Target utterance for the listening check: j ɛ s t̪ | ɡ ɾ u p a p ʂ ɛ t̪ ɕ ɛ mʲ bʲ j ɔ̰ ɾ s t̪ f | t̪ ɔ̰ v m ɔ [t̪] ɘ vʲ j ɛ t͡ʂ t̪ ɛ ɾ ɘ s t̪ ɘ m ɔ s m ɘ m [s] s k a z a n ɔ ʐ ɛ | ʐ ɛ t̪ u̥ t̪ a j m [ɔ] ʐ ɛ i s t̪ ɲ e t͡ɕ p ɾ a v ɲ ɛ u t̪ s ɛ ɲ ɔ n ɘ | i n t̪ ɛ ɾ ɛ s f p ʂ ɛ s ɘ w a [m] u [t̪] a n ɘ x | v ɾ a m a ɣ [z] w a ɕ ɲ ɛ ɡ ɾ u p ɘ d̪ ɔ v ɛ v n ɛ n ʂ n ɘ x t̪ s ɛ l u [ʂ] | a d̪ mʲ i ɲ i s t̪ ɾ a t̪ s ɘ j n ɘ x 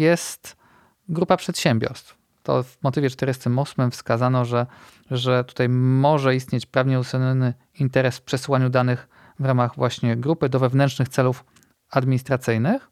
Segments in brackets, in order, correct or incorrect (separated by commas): correct, incorrect, correct, incorrect, incorrect, incorrect, incorrect